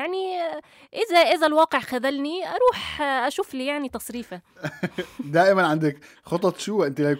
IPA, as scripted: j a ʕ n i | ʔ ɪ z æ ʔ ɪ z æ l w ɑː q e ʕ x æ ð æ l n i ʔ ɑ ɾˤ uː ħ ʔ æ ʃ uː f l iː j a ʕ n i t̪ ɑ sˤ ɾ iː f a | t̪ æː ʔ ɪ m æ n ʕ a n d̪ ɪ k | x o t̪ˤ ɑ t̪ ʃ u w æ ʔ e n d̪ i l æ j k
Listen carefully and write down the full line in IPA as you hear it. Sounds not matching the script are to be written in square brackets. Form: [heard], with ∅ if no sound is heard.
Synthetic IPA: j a ʕ n i | ʔ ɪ z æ ʔ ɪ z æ l w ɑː q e ʕ x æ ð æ l n i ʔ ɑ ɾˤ uː ħ ʔ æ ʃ uː f l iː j a ʕ n i t̪ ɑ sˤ ɾ iː f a | [d̪] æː ʔ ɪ m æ n ʕ a n d̪ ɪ k | x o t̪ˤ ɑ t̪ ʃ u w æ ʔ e n [t̪] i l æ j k